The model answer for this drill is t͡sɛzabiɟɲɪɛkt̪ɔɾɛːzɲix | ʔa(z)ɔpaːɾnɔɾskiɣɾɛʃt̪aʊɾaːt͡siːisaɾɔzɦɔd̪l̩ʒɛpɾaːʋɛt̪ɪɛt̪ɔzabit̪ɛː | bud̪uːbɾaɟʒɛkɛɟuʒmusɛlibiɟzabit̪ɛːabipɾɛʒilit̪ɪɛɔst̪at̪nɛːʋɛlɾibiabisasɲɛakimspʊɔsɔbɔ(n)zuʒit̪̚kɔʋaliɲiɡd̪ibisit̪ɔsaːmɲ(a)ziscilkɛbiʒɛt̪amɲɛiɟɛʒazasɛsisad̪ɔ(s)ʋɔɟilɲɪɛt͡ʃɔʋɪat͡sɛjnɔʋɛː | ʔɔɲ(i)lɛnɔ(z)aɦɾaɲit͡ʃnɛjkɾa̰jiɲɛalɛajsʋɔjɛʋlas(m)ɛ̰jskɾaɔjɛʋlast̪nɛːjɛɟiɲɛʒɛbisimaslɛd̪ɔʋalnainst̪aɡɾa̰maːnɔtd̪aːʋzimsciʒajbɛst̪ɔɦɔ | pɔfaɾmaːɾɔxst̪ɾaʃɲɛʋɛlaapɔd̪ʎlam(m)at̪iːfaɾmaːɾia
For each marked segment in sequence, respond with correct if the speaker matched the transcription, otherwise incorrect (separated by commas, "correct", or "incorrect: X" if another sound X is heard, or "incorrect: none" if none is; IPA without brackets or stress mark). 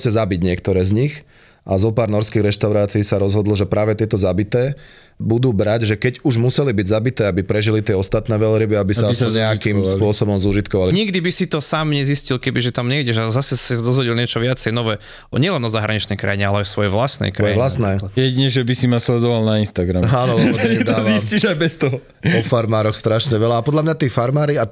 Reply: correct, incorrect: m, incorrect: ɛ, incorrect: z, incorrect: ɛ, correct, incorrect: n, incorrect: ɲ